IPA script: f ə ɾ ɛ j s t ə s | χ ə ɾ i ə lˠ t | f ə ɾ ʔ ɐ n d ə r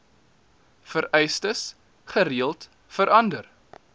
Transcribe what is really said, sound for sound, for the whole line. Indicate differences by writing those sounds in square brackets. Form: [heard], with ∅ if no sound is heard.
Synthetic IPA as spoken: f ə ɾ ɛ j s t ə s | χ ə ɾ i ə lˠ t | f ə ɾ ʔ ɐ n d ə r